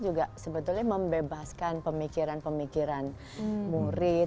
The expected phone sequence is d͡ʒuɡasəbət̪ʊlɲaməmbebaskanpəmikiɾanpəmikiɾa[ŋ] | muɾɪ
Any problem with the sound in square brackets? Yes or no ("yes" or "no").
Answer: yes